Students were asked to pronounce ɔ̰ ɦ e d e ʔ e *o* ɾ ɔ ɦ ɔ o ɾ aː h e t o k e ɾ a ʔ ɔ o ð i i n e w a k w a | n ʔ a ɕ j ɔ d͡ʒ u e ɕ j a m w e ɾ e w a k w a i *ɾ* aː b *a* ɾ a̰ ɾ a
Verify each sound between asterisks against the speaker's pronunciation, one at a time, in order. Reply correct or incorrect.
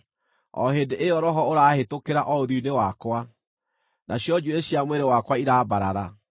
incorrect: ɔ, correct, correct

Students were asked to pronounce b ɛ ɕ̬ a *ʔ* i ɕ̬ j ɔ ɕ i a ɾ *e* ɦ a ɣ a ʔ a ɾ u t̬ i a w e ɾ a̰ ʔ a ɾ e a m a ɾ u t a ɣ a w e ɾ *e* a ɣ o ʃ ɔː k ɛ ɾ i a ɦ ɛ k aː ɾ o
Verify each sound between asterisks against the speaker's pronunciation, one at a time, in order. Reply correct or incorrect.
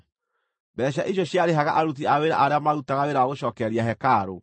correct, correct, incorrect: a

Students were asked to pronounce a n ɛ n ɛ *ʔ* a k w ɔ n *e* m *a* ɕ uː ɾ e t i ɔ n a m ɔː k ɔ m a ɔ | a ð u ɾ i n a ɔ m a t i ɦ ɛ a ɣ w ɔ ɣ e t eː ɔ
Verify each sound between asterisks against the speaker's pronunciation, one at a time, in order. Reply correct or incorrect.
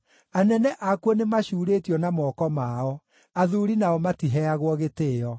correct, correct, correct

